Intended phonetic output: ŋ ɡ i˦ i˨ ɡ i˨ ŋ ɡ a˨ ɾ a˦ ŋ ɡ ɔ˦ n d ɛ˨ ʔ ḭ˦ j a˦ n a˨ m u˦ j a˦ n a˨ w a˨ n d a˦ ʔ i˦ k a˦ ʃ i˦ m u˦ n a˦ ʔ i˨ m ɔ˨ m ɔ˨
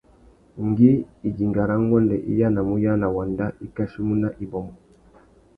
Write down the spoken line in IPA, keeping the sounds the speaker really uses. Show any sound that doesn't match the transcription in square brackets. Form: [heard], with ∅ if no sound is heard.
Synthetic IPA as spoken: ŋ ɡ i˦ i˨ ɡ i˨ ŋ ɡ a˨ ɾ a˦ ŋ ɡ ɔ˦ n d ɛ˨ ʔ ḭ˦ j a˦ n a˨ m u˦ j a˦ n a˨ w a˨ n d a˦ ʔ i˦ k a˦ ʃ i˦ m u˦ n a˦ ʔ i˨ [b] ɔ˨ m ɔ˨